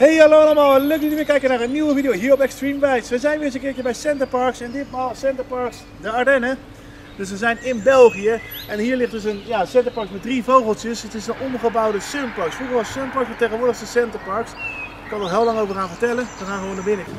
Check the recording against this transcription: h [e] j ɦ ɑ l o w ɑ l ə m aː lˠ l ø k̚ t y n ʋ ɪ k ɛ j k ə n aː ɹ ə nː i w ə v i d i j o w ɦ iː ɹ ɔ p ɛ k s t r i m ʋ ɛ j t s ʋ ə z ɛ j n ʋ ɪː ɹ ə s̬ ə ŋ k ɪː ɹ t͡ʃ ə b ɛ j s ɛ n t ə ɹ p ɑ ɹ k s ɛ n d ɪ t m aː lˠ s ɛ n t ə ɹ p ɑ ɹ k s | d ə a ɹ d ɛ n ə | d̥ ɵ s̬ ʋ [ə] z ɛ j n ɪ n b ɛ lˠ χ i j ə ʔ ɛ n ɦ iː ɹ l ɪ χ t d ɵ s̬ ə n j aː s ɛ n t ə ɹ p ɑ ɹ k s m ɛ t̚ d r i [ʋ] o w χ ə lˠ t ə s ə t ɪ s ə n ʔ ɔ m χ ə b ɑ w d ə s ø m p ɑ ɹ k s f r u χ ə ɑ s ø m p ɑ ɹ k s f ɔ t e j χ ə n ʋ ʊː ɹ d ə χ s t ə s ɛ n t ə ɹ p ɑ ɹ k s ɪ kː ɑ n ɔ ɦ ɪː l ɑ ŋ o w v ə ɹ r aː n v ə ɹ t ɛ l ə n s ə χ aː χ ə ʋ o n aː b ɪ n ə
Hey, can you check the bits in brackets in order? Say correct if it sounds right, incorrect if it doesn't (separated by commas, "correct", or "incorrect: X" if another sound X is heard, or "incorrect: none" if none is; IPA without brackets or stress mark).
correct, correct, incorrect: v